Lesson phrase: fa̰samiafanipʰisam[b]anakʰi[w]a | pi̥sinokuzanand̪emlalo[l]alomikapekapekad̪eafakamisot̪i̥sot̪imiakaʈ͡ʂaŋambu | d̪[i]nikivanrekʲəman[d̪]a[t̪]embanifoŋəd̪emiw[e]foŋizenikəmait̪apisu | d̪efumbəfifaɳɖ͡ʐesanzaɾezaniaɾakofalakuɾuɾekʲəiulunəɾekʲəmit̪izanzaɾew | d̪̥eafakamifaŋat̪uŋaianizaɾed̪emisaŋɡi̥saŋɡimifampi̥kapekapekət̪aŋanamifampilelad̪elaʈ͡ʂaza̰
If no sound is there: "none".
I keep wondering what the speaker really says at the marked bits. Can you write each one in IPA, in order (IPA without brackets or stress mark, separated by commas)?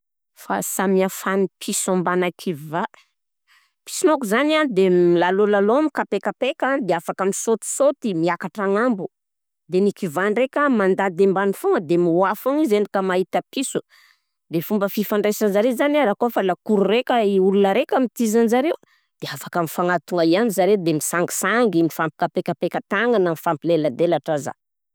b, v, l, e, d̪, d̪, a